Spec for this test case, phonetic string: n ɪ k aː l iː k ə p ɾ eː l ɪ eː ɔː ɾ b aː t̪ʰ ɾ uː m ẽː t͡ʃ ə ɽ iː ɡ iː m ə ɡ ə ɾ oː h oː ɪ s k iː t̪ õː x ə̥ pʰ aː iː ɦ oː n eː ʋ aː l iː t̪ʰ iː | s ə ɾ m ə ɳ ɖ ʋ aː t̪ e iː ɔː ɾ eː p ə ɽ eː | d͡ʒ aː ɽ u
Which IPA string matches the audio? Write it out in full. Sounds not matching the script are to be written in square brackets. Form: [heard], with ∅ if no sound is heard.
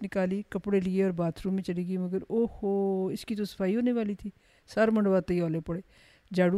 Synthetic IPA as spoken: n ɪ k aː l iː k ə p [ɽ] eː l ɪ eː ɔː ɾ b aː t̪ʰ ɾ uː m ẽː t͡ʃ ə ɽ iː ɡ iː m ə ɡ ə ɾ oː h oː ɪ s k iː t̪ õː [s] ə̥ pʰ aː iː ɦ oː n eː ʋ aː l iː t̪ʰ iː | s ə ɾ m ə ɳ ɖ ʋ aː t̪ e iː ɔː [l] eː p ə ɽ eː | d͡ʒ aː ɽ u